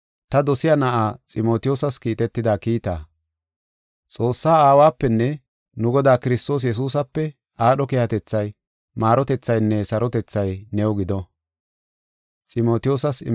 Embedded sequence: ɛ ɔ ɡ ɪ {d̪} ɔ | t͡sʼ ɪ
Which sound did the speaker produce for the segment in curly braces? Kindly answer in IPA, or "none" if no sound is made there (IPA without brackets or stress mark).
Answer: d̪